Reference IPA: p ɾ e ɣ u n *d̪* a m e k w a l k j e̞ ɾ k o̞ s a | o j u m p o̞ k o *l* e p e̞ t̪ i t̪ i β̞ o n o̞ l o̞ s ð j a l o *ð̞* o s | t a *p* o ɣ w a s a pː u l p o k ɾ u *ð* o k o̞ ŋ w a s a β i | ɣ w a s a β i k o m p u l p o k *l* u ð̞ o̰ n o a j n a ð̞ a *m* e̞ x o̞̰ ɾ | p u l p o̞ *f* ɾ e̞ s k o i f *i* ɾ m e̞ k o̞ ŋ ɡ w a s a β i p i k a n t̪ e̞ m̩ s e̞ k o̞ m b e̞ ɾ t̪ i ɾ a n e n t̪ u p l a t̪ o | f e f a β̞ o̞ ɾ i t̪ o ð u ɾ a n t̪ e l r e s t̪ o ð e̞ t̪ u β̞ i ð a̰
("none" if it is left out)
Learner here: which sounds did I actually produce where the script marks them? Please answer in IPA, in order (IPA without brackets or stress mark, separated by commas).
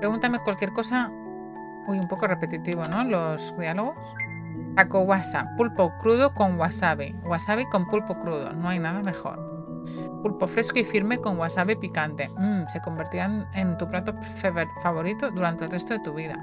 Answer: t̪, r, ɣ̞, k, ð, ɾ, m, f, i